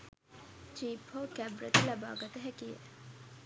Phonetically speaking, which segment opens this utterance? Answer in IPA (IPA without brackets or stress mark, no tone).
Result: t͡ʃ